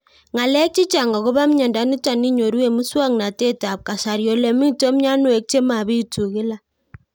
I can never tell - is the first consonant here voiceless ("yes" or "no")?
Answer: no